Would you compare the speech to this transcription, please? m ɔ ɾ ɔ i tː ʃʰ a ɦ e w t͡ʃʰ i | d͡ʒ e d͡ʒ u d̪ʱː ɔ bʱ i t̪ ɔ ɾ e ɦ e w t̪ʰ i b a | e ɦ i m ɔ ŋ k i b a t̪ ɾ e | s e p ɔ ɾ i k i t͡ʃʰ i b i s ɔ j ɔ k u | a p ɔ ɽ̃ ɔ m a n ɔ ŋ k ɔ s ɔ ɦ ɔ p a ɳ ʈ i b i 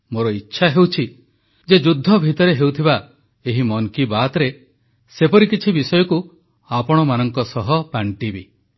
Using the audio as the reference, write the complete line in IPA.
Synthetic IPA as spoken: m o ɾ ɔ i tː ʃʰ a ɦ e w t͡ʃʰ i | d͡ʒ e d͡ʒ u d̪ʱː ɔ bʱ i t̪ ɔ ɾ e ɦ e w t̪ʰ i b a | e ɦ i m ɔ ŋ k i b a t̪ ɾ e | s e p ɔ ɾ i k i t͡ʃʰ i b i s ɔ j ɔ k u | a p ɔ ɽ̃ ɔ m a n ɔ ŋ k ɔ s ɔ ɦ ɔ p a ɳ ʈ i b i